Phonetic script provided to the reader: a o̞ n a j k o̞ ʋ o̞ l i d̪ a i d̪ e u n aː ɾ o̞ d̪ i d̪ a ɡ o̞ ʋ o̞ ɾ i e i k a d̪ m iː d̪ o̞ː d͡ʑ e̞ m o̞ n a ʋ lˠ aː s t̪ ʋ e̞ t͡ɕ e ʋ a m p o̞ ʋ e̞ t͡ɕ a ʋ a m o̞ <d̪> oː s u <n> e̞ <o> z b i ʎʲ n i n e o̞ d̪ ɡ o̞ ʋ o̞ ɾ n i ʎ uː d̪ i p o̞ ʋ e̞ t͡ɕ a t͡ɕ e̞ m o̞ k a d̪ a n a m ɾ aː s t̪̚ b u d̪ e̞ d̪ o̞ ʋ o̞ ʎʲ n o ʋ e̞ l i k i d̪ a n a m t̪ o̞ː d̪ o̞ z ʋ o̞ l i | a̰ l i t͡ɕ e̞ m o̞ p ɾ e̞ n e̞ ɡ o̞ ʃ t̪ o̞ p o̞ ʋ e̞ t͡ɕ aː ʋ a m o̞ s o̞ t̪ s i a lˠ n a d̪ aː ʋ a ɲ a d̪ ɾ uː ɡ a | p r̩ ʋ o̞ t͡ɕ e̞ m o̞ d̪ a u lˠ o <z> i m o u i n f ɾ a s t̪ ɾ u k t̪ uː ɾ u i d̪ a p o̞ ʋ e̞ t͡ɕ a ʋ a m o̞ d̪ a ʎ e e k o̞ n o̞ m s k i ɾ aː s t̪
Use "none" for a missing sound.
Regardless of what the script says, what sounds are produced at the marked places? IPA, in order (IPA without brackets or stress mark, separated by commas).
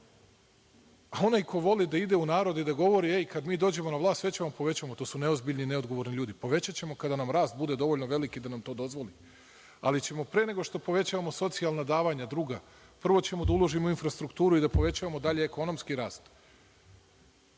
t̪, n, o, ʒ